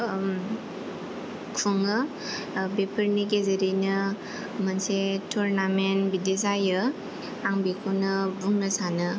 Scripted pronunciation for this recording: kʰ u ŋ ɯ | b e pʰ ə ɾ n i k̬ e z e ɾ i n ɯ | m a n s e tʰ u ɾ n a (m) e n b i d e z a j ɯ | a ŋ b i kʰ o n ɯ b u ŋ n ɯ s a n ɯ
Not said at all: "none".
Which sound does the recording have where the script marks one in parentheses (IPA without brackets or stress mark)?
m